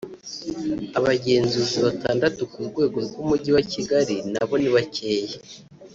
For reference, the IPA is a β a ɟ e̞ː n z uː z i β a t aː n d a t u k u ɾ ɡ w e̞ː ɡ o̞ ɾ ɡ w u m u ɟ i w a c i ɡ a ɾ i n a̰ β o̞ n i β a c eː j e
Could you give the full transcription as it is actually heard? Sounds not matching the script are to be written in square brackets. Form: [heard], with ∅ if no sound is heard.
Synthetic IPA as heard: a β a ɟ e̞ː n z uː z i β a t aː n d a t u k u ɾ ɡ w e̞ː ɡ o̞ ɾ ɡ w u m u ɟ i w a c i ɡ a ɾ i n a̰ β o̞ n i β a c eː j e